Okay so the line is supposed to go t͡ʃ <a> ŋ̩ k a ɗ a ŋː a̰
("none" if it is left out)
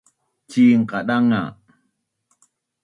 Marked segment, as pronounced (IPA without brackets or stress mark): i